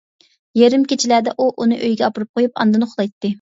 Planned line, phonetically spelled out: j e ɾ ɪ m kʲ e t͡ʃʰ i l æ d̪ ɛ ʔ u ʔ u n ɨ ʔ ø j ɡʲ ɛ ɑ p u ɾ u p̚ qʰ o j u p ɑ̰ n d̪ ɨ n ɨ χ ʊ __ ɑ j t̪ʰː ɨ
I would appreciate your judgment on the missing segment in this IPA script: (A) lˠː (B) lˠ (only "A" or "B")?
B